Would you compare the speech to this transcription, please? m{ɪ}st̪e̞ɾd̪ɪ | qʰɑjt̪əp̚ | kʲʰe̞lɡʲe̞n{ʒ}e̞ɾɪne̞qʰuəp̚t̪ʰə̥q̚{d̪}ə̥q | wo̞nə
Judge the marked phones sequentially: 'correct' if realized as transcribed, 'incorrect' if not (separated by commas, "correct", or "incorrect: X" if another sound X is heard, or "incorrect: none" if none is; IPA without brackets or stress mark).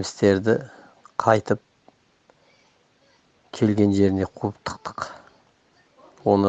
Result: correct, correct, incorrect: t̪